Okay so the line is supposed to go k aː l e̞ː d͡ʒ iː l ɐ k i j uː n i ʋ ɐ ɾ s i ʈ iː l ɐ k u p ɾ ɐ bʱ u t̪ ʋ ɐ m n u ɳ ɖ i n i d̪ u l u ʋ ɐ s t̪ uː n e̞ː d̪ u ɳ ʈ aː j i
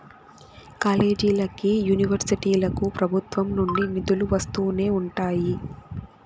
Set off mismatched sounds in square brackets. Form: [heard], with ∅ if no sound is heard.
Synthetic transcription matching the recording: k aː l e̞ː d͡ʒ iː l ɐ k i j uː n i ʋ ɐ ɾ s i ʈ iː l ɐ k u p ɾ ɐ bʱ u t̪ ʋ ɐ m n u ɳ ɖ i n i d̪ u l u ʋ ɐ s t̪ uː n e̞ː [∅] u ɳ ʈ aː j i